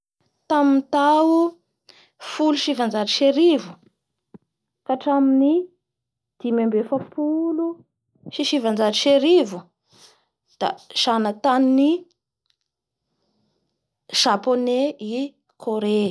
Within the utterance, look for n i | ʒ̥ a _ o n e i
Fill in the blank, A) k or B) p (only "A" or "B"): B